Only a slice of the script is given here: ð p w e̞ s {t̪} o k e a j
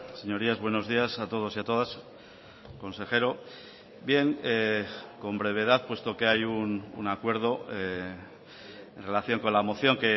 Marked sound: correct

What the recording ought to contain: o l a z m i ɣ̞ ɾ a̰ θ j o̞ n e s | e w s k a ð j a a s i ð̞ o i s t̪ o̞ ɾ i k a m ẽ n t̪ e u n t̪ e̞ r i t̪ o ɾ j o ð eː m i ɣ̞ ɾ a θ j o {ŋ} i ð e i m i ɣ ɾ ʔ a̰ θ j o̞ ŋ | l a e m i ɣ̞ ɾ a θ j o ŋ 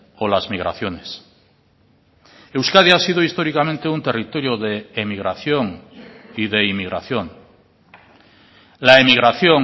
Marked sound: correct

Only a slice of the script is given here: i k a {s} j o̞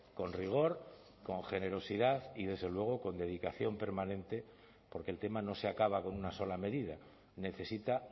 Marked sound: incorrect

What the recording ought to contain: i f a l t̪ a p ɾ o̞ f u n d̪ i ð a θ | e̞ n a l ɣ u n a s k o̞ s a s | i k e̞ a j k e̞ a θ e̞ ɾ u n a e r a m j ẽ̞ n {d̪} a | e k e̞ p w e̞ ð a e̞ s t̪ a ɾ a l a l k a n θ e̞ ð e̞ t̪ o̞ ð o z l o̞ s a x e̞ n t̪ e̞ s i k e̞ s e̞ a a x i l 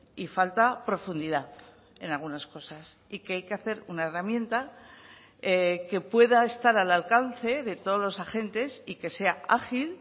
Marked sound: incorrect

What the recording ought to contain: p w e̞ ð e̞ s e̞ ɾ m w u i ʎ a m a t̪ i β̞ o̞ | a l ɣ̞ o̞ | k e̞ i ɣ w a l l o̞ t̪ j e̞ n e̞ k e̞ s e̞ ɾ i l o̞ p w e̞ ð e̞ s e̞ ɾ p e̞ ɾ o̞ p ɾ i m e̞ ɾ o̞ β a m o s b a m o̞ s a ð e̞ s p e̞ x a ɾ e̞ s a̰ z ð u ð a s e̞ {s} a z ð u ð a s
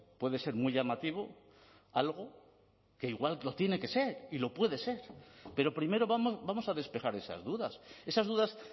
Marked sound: correct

